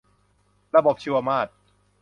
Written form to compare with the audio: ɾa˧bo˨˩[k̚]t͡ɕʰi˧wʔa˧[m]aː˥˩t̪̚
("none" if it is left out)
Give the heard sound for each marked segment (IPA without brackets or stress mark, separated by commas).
p̚, m